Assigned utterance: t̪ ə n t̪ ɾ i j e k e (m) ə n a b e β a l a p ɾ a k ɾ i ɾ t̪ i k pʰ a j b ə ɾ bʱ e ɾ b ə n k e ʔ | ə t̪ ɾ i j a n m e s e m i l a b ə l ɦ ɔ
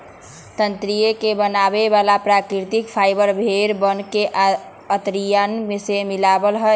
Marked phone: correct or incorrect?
incorrect: b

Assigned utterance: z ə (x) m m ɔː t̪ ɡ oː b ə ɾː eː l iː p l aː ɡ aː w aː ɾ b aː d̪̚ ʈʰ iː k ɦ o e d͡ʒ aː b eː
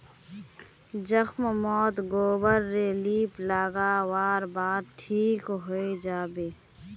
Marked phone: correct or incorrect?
correct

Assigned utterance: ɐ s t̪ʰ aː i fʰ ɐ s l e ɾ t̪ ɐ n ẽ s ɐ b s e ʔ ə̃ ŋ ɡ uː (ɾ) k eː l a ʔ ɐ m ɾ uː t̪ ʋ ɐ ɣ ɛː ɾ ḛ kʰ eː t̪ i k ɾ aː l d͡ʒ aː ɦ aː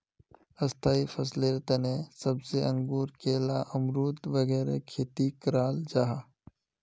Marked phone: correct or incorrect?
correct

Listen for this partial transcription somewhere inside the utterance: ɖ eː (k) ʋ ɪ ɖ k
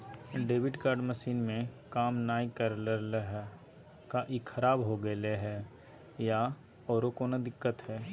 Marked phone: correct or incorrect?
incorrect: none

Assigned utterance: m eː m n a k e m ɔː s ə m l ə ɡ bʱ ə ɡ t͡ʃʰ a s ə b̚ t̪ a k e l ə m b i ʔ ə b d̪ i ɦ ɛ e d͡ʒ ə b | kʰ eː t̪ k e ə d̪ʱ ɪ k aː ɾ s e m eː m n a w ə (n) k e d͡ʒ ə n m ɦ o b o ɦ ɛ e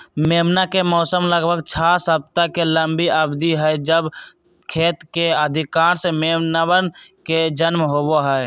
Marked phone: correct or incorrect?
correct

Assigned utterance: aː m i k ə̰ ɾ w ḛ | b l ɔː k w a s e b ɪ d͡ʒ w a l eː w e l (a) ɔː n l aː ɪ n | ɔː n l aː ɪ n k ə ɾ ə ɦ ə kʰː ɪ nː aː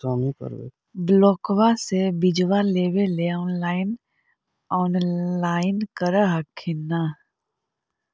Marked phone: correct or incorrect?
incorrect: e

